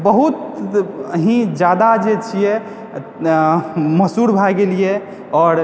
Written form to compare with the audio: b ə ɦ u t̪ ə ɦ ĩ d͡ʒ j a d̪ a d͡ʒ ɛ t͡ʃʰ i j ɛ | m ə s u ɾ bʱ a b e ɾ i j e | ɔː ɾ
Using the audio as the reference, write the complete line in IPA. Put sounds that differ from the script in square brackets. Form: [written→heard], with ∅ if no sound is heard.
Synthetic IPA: b ə ɦ u t̪ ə ɦ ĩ d͡ʒ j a d̪ a d͡ʒ [ɛ→e] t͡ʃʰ i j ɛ | m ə s u ɾ bʱ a [b→ɡ] e [ɾ→l] i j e | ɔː ɾ